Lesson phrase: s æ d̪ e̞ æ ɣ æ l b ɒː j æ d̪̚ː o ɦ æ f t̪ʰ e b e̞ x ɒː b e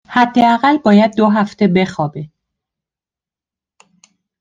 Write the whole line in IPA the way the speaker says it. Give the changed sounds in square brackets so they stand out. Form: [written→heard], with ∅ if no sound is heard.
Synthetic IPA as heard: [s→h] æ [d̪→d̪ː] e̞ æ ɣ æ l b ɒː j æ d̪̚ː o ɦ æ f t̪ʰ e b e̞ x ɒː b e